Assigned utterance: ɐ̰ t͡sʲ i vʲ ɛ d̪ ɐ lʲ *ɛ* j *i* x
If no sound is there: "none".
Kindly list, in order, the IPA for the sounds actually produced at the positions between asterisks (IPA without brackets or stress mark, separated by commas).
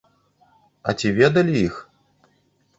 i, i